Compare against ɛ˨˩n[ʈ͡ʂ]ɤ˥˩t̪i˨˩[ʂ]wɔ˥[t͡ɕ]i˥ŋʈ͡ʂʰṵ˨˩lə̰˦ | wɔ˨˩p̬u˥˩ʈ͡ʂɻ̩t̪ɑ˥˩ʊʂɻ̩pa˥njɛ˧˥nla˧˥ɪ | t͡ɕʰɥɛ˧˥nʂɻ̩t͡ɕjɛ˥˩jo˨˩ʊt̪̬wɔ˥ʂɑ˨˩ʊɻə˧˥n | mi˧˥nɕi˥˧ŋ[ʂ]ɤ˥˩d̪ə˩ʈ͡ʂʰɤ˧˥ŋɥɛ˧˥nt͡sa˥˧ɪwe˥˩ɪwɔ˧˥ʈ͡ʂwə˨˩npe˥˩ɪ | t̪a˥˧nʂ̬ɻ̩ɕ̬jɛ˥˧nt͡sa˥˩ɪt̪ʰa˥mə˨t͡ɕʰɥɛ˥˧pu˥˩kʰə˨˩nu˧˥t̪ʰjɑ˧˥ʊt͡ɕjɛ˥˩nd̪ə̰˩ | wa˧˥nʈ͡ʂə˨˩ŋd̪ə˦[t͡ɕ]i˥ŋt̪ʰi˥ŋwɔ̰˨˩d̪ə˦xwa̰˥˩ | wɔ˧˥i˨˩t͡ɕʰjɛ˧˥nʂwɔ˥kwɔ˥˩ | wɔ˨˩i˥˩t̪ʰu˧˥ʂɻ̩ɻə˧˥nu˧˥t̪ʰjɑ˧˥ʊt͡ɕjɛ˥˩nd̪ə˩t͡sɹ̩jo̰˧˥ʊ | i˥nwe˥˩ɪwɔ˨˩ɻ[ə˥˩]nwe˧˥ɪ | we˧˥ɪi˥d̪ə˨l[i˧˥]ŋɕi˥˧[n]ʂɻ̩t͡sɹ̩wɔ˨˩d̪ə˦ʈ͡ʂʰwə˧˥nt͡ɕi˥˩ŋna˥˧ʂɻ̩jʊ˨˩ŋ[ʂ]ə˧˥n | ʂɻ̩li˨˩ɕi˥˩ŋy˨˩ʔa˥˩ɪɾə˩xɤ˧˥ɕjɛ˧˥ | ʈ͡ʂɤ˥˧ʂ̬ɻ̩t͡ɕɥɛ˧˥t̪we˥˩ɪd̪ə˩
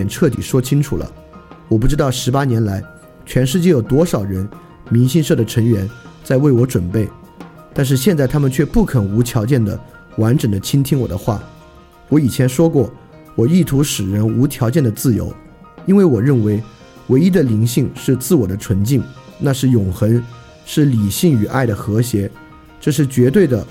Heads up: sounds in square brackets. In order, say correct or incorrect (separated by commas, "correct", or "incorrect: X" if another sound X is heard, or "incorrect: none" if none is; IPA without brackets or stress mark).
incorrect: ʈ͡ʂʰ, correct, incorrect: t͡ɕʰ, correct, incorrect: t͡ɕʰ, correct, correct, incorrect: ŋ, incorrect: x